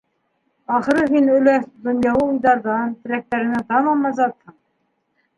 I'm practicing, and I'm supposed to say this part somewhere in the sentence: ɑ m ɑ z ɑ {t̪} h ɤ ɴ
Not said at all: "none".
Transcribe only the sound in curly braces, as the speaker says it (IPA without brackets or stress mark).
t̪